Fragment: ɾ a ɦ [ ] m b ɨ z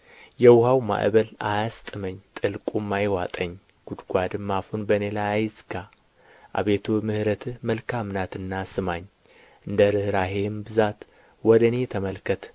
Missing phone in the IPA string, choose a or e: e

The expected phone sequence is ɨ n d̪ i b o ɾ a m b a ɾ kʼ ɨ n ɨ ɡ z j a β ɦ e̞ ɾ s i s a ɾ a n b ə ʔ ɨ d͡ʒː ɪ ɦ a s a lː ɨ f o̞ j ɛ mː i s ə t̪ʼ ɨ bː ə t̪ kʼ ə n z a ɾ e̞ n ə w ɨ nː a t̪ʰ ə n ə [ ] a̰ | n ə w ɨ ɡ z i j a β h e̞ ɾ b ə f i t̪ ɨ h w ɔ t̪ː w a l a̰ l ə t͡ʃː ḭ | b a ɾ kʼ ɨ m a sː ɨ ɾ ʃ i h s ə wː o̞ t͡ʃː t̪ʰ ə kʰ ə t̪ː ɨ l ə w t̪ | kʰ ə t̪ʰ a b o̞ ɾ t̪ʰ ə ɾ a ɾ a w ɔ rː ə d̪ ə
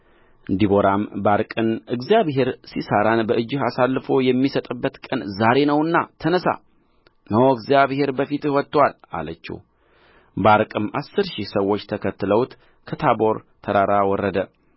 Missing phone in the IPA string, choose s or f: s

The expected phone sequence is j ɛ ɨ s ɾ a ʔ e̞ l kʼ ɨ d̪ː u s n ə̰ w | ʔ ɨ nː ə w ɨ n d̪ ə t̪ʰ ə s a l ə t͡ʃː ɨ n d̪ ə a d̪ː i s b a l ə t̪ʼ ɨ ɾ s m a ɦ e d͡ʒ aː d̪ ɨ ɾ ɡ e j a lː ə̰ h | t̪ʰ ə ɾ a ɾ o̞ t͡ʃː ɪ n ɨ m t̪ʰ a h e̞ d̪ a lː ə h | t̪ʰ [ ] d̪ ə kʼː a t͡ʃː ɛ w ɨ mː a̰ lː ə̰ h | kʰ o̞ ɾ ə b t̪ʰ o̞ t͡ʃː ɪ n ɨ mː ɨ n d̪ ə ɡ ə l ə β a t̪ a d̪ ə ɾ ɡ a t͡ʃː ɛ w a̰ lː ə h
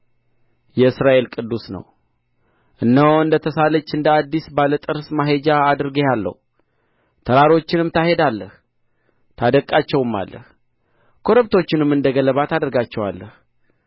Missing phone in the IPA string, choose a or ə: a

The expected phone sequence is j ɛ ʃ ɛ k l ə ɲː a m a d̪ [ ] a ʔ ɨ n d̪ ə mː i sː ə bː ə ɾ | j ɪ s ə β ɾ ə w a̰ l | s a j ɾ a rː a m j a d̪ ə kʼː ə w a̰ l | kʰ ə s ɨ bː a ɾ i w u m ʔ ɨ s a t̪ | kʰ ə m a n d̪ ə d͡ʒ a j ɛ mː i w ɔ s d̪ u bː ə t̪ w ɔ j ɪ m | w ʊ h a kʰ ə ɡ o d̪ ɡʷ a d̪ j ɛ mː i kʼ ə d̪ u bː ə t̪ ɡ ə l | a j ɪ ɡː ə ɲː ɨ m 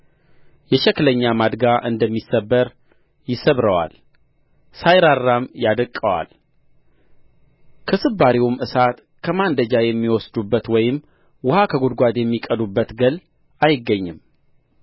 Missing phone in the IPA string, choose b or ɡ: ɡ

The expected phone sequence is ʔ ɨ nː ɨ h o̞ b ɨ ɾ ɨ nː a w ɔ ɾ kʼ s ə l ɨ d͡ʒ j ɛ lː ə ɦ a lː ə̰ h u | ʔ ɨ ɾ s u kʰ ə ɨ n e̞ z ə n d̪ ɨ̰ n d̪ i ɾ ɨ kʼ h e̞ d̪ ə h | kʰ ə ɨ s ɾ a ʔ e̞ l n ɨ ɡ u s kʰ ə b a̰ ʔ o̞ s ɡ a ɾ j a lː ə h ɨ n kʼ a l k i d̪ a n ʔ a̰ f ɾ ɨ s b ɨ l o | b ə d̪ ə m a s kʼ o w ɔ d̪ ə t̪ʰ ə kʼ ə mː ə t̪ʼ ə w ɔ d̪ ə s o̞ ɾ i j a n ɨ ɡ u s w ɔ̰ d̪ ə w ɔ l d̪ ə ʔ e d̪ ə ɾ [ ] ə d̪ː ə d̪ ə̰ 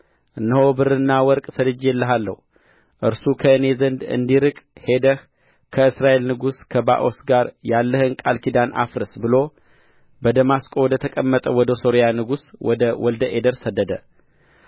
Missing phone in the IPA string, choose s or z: s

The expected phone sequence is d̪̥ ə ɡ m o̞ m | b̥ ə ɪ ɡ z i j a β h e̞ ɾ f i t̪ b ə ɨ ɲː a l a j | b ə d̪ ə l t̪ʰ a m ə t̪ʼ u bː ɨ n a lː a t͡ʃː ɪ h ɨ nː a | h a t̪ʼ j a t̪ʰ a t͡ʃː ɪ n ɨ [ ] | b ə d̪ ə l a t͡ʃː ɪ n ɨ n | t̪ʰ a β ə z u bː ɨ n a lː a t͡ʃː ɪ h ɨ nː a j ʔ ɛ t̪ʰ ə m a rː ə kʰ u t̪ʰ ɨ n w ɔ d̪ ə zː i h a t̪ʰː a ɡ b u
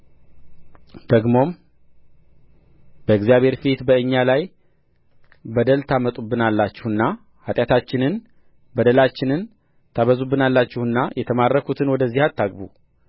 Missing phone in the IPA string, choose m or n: n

